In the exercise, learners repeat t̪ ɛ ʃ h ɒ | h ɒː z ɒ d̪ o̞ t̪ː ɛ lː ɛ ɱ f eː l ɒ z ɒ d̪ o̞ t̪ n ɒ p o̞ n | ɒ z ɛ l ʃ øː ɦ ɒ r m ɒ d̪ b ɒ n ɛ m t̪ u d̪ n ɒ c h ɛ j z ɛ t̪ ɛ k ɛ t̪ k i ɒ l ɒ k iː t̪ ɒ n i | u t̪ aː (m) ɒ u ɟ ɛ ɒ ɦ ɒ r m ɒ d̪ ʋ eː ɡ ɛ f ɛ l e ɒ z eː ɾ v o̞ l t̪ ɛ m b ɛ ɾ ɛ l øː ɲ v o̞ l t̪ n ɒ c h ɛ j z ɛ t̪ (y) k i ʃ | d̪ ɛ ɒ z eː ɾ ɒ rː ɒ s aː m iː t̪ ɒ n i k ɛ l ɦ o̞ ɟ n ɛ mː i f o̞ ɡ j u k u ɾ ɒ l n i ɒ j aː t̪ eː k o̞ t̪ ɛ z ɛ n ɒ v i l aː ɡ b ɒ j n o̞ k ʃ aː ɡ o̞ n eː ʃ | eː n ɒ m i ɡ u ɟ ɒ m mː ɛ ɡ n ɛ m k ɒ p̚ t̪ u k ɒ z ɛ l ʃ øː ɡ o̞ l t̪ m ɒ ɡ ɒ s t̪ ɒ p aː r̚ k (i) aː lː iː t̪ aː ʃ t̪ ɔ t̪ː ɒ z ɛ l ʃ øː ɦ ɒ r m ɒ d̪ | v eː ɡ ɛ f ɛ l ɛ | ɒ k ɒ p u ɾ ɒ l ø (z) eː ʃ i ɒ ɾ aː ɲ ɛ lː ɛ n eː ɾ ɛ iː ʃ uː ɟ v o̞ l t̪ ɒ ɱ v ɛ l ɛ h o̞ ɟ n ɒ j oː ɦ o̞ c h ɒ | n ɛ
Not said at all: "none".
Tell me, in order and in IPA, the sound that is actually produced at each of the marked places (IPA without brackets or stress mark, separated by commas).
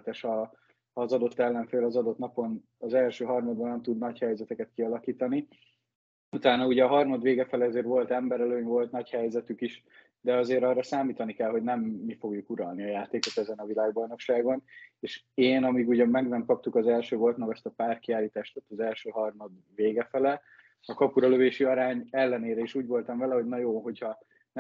n, y, i, v